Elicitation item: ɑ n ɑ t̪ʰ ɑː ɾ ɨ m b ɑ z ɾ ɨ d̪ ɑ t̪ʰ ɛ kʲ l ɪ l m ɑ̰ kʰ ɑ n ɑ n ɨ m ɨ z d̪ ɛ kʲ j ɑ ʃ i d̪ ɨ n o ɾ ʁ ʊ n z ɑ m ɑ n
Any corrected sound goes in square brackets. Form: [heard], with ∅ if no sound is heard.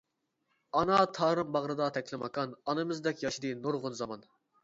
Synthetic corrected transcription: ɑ n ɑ t̪ʰ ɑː ɾ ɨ m b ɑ [ʁ] ɾ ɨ d̪ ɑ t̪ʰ ɛ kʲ l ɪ [∅] m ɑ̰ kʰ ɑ n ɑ n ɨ m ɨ z d̪ ɛ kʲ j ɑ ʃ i d̪ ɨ n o ɾ ʁ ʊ n z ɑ m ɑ n